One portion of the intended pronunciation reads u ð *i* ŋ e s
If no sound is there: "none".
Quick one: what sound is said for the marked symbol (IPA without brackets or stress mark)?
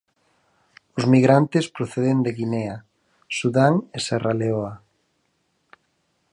a